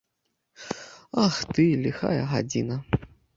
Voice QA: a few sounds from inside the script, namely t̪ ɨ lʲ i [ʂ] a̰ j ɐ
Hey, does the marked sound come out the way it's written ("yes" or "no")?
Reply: no